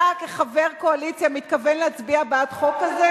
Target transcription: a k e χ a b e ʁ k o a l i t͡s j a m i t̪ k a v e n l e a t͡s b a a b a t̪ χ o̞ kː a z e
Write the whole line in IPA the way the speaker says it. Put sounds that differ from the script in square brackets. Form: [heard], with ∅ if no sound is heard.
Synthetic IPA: a k e χ a [v] e ʁ k o a l i t͡s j a m i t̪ k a v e n l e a t͡s b [i] a b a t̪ χ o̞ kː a z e